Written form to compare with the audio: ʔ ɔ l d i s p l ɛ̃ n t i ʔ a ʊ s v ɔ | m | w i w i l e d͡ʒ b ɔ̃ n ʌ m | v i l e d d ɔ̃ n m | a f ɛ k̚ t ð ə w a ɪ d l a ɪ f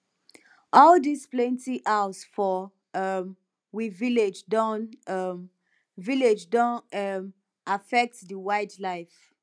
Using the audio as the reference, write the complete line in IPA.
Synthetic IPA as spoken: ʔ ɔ l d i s p l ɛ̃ n t i ʔ a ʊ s f ɔ | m | w i v i l e d͡ʒ d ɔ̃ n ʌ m | v i l e d͡ʒ d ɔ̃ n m | a f ɛ k̚ t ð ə w a ɪ d l a ɪ f